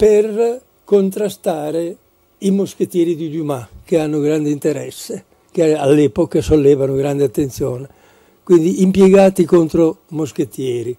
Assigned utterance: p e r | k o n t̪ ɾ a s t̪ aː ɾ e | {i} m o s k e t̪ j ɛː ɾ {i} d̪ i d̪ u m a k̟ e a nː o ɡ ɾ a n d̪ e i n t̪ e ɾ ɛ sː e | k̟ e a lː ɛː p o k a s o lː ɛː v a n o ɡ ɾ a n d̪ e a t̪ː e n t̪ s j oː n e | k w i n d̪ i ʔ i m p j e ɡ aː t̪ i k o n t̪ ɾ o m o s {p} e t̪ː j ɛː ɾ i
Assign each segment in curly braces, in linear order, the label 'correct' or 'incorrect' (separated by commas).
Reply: correct, correct, incorrect